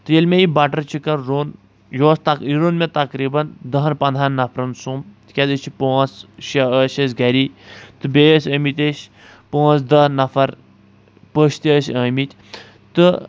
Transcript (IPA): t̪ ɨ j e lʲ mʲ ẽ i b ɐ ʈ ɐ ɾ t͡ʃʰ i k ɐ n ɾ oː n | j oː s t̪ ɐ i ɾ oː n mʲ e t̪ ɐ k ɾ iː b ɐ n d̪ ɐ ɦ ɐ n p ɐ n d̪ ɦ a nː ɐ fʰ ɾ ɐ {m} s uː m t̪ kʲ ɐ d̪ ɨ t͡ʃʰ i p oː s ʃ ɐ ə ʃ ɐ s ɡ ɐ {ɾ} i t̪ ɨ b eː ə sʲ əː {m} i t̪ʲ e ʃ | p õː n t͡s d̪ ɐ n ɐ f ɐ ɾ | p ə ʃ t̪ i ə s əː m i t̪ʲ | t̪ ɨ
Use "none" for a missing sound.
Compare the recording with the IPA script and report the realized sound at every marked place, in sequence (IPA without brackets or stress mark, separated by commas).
n, ɾ, m